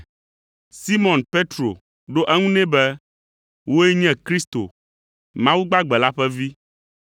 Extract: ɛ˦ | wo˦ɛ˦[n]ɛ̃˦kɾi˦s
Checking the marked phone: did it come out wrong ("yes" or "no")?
yes